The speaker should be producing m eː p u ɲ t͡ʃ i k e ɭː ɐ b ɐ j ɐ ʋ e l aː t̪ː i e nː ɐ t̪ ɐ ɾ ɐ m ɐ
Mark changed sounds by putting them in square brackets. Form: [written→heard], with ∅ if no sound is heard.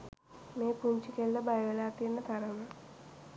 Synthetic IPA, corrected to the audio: m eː p u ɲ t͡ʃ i k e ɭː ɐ b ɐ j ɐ ʋ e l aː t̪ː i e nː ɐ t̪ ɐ ɾ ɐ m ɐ